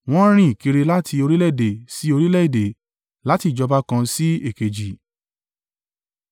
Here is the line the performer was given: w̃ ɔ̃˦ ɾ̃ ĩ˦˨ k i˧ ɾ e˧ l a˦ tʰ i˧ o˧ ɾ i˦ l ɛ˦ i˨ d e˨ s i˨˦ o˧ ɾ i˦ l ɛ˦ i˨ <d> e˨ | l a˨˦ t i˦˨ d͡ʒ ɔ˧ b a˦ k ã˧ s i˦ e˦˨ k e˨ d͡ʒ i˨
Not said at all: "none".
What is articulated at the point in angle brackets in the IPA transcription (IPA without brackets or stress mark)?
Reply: d